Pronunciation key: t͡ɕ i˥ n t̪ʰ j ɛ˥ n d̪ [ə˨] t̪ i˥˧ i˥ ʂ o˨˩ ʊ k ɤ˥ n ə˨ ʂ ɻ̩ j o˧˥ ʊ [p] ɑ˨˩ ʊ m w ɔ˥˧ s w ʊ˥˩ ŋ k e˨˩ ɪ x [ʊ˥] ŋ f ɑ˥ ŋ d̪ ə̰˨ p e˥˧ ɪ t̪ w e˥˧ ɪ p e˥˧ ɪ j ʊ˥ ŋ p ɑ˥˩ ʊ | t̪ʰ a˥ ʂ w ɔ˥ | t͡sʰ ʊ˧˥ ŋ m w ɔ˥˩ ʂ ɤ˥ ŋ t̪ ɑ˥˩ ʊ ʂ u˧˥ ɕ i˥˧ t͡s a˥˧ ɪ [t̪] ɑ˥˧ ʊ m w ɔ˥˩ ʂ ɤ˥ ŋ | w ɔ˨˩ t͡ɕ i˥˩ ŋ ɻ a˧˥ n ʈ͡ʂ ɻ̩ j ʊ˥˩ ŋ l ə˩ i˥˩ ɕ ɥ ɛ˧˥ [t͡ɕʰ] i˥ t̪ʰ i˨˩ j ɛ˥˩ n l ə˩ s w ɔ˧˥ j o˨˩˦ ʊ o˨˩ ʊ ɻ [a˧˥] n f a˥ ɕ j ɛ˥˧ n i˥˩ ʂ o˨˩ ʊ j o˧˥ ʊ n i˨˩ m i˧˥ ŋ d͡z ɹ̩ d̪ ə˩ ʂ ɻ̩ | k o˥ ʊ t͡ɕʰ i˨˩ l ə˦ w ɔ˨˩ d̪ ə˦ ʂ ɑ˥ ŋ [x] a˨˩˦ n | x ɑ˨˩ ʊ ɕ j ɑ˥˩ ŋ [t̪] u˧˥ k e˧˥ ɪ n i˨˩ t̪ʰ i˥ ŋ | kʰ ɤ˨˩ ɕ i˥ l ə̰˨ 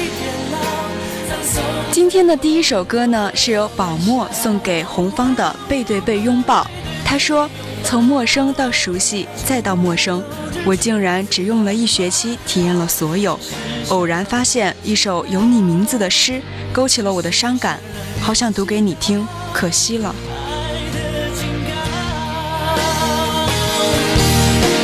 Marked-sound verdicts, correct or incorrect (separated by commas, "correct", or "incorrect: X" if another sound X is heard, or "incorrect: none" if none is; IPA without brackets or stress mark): correct, correct, incorrect: ʊ˧˥, correct, correct, correct, incorrect: k, correct